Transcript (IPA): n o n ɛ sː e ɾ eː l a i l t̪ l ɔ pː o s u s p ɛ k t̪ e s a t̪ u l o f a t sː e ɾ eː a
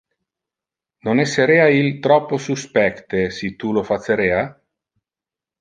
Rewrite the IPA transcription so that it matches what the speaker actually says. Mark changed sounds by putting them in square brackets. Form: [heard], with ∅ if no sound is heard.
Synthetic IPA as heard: n o n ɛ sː e ɾ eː [∅] a i l t̪ [ɾ] ɔ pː o s u s p ɛ k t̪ e s [i] t̪ u l o f a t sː e ɾ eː a